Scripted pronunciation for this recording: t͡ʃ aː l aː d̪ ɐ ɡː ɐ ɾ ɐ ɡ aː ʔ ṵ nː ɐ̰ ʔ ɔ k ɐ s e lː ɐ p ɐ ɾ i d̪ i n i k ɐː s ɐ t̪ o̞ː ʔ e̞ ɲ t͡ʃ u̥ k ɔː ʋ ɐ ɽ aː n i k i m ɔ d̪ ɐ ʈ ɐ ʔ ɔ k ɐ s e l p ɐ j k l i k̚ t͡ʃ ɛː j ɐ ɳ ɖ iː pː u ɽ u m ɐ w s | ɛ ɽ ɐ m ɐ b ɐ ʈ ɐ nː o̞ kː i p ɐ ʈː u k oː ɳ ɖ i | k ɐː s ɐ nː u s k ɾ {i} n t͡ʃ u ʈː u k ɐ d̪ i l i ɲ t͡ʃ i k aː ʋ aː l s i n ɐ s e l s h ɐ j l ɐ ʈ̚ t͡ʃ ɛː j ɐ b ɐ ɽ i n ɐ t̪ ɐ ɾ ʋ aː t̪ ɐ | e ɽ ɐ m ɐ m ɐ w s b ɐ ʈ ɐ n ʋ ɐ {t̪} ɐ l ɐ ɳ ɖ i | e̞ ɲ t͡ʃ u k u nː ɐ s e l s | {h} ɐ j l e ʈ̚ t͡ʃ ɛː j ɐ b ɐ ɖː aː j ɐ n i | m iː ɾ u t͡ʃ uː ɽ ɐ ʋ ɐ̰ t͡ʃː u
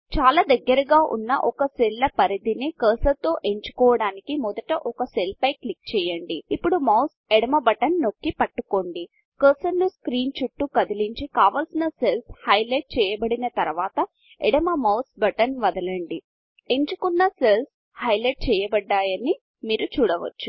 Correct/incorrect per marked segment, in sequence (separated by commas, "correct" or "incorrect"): incorrect, incorrect, correct